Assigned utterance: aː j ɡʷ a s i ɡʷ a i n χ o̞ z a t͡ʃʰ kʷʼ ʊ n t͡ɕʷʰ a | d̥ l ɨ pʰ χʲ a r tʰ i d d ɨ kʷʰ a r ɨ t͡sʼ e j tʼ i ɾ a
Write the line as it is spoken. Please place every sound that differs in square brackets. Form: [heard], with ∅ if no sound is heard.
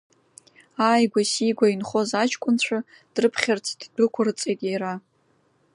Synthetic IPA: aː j ɡʷ a s i ɡʷ a i n χ o̞ z a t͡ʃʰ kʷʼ ʊ n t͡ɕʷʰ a | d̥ [r] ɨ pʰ χʲ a r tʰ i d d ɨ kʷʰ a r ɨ t͡sʼ e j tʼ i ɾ a